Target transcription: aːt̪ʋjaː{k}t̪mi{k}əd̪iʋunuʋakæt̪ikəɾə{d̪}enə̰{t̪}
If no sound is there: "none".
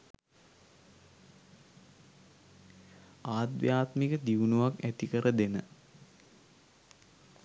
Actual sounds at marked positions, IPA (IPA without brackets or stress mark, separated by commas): none, k, d̪, none